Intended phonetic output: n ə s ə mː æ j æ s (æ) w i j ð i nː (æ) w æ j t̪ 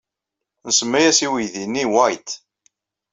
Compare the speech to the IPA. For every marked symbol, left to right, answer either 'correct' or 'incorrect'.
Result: incorrect, incorrect

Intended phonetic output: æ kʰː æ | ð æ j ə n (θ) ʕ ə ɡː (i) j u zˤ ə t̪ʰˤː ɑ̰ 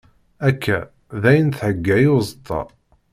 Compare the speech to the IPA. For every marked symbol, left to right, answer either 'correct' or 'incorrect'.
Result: correct, incorrect

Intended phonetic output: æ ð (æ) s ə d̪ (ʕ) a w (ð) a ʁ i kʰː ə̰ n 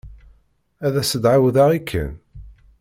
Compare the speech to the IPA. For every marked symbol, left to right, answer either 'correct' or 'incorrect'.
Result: correct, correct, correct

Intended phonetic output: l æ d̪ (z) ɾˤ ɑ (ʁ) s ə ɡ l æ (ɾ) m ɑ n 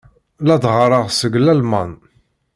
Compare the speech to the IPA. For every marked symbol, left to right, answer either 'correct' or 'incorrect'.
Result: incorrect, correct, incorrect

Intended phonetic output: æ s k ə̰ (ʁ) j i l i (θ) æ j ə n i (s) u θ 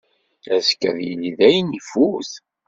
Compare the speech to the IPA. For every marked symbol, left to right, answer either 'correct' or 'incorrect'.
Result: incorrect, incorrect, incorrect

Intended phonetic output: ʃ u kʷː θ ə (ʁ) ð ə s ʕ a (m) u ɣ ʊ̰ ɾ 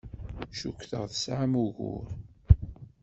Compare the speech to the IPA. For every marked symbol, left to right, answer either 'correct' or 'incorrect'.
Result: correct, correct

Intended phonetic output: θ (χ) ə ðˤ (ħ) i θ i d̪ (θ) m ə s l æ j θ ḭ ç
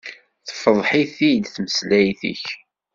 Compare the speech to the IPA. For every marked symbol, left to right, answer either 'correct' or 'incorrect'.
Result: incorrect, correct, correct

